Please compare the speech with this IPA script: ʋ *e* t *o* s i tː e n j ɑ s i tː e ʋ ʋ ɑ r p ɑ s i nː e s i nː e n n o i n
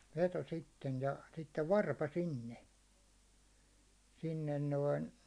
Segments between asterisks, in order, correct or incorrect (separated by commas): correct, correct